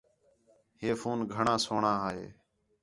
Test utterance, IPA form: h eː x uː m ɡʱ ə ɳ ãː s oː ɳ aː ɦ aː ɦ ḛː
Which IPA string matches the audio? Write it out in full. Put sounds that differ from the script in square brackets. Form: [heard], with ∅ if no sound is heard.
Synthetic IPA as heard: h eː [f] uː [n] ɡʱ ə ɳ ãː s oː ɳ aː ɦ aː ɦ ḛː